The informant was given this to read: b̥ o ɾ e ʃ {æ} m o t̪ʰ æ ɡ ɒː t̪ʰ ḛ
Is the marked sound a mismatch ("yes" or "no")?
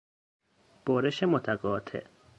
yes